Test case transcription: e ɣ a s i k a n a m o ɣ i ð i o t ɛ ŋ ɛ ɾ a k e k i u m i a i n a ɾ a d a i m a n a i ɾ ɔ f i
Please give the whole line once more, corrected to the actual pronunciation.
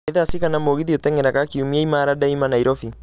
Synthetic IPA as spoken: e ð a s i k a n a m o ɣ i ð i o t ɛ ŋ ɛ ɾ a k a k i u m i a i m a ɾ a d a i m a n a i ɾ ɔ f i

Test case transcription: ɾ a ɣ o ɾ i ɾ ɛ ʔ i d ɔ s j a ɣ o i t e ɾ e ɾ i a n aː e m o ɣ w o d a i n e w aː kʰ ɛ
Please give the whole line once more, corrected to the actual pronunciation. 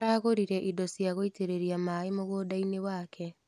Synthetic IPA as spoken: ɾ a ɣ o ɾ i ɾ ɛ ʔ i d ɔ s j a ɣ o i t e ɾ e ɾ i a m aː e m o ɣ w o d a i n e w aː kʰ ɛ

